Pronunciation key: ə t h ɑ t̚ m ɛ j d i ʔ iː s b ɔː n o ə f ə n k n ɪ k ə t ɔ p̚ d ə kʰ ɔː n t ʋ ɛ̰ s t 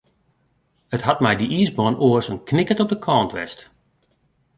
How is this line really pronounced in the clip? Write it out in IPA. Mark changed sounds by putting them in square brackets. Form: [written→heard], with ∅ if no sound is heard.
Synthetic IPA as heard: ə t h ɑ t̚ m ɛ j d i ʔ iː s b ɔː n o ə [f→s] ə n k n ɪ k ə t ɔ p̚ d ə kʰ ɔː n t ʋ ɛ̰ s t